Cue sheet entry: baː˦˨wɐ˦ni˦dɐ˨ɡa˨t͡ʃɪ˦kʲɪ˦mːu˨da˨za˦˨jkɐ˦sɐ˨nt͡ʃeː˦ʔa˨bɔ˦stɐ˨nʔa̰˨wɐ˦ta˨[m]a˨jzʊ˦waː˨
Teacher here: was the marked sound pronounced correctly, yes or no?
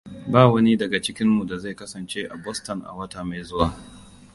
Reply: yes